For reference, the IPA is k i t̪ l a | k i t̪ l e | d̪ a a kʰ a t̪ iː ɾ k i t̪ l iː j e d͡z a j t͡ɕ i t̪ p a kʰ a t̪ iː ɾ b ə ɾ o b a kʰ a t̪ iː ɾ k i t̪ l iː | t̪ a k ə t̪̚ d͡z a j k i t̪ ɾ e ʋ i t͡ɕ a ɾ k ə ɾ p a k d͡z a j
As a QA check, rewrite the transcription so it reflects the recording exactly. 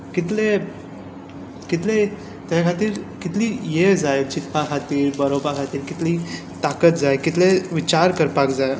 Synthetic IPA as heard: k i t̪ l e | k i t̪ l e | t̪ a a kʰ a t̪ iː ɾ k i t̪ l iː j e d͡z a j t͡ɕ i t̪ p a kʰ a t̪ iː ɾ b ə ɾ o b a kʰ a t̪ iː ɾ k i t̪ l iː | t̪ a k ə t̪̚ d͡z a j k i t̪ l e ʋ i t͡ɕ a ɾ k ə ɾ p a k d͡z a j